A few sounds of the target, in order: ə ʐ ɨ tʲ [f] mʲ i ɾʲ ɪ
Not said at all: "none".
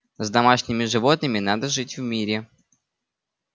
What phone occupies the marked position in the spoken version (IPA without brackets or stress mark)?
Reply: v